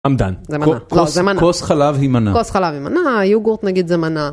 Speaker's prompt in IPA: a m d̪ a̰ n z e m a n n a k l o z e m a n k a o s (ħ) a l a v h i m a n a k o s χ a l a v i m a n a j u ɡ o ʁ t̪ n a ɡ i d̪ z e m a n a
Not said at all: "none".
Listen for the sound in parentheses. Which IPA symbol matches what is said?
χ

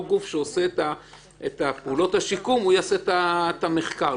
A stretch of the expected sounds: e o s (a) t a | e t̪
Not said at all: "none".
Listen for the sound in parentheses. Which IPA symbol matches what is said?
e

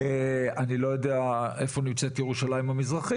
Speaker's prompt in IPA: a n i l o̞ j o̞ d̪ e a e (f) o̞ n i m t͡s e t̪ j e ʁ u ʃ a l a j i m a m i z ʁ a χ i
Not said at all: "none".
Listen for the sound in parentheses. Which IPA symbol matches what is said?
f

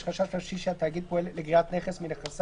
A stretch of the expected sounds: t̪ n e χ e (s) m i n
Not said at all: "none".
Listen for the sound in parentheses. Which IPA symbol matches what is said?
s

